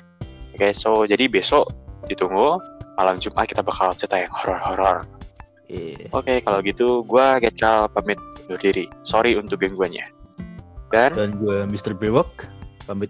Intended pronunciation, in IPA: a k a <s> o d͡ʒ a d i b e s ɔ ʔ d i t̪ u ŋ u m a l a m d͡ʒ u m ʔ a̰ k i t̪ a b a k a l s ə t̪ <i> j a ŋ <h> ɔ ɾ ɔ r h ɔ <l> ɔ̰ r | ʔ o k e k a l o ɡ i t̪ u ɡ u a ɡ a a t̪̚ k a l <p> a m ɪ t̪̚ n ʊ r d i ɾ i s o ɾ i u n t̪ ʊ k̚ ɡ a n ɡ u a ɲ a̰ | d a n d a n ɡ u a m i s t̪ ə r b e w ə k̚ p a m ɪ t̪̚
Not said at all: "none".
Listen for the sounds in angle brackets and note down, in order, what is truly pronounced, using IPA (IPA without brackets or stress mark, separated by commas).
s, a, h, ɾ, p